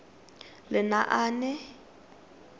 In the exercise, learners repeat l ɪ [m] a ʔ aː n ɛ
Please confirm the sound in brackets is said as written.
no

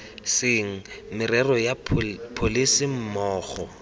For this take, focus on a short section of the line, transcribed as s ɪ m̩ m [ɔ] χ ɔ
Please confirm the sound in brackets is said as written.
no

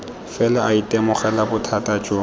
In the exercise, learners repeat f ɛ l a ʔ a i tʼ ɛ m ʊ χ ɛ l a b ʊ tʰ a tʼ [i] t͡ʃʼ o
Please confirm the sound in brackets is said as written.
no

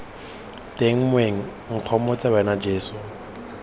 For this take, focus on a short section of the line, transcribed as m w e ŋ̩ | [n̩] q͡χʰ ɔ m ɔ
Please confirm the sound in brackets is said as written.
no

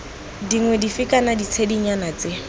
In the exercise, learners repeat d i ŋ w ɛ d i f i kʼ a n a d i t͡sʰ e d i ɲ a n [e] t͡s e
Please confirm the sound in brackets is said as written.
no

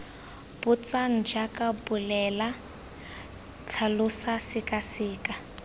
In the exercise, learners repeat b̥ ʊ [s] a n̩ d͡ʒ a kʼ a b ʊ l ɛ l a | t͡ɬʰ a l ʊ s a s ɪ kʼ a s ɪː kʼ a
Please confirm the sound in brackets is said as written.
no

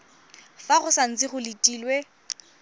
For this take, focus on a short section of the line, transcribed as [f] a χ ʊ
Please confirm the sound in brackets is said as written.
yes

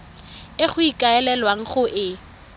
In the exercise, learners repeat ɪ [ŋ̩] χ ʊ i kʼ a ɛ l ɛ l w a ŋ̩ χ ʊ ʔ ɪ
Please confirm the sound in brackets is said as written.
no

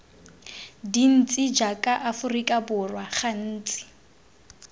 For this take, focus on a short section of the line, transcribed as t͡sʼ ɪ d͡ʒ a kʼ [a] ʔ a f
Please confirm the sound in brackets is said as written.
yes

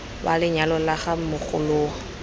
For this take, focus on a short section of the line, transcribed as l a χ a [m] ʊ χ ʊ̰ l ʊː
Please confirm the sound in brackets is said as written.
yes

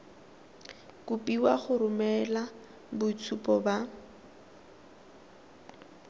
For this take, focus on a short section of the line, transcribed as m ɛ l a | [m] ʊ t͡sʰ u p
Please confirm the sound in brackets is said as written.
no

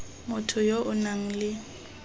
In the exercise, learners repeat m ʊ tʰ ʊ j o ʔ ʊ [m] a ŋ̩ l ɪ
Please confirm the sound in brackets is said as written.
no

